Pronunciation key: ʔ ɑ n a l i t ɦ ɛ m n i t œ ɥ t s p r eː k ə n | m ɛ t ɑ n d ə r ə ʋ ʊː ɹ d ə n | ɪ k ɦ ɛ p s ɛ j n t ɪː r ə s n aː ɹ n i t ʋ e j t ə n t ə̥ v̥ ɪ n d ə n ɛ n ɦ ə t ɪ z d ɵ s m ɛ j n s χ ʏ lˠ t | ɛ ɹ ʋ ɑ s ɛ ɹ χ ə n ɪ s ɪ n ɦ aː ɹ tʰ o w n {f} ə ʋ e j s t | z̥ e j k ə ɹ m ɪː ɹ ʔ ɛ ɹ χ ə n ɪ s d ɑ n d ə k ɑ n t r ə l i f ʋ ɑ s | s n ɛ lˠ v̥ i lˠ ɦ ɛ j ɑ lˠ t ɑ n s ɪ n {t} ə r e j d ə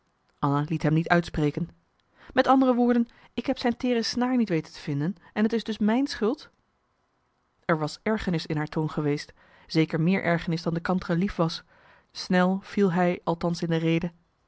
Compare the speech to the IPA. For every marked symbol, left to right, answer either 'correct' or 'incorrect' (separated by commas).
incorrect, incorrect